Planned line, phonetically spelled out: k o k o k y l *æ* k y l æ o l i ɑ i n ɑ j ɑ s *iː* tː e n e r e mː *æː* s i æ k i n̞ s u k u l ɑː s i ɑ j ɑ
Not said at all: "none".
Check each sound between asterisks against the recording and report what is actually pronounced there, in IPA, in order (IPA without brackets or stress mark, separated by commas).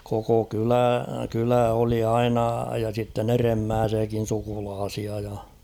æ, i, æː